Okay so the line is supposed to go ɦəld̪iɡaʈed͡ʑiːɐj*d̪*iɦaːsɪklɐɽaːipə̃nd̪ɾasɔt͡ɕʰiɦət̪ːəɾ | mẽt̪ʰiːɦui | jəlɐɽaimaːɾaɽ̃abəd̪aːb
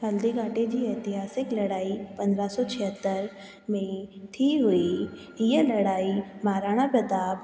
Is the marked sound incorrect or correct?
incorrect